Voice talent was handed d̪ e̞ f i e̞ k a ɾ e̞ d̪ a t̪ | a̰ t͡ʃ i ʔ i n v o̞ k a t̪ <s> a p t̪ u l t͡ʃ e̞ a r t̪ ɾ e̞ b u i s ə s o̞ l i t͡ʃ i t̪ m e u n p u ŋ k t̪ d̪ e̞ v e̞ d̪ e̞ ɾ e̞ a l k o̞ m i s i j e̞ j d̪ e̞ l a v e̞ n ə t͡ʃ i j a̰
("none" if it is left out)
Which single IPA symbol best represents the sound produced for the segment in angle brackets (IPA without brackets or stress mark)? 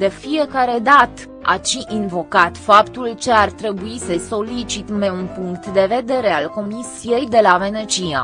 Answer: f